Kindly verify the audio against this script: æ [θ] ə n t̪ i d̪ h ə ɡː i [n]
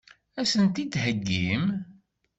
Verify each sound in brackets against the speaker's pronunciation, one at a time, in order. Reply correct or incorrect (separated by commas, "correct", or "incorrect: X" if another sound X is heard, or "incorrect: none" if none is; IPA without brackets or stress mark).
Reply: incorrect: s, incorrect: m